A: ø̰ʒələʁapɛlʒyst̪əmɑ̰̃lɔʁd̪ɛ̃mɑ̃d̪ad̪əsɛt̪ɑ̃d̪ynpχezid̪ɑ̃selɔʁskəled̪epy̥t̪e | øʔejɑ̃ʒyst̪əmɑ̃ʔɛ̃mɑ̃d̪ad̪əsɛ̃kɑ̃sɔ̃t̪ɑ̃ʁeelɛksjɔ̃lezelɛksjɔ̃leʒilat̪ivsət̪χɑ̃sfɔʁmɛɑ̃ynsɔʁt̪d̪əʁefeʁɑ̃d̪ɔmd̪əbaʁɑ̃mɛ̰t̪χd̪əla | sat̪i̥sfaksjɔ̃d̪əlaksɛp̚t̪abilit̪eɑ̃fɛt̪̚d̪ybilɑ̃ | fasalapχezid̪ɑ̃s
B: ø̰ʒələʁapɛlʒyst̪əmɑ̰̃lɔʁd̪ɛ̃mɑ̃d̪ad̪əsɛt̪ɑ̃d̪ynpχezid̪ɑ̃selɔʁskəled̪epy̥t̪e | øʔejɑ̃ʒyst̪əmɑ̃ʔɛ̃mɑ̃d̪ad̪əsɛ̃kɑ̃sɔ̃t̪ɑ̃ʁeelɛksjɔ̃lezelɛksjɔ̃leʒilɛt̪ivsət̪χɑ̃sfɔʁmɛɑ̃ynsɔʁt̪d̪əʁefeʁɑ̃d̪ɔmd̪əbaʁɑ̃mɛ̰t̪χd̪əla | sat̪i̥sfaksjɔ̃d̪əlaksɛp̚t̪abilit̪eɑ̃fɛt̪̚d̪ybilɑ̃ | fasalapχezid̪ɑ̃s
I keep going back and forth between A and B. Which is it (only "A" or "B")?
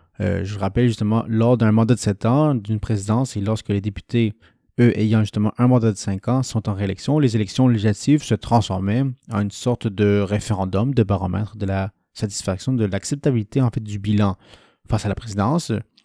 A